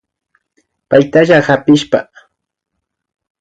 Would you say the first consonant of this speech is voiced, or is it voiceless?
voiceless